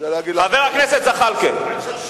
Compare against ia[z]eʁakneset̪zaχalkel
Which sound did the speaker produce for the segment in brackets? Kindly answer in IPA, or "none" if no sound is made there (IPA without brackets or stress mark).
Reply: v